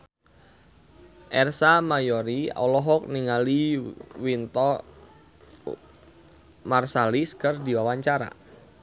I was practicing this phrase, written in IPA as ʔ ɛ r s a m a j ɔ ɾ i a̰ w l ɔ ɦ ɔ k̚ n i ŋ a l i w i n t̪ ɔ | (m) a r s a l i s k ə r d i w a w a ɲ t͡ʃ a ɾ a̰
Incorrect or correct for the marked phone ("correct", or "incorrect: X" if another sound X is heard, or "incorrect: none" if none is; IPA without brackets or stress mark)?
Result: correct